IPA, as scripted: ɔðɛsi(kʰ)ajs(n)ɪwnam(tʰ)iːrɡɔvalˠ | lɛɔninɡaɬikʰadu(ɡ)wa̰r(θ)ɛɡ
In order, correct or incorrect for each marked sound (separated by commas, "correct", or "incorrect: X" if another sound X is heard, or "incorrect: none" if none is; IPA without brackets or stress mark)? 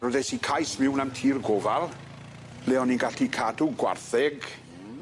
correct, incorrect: m, correct, correct, correct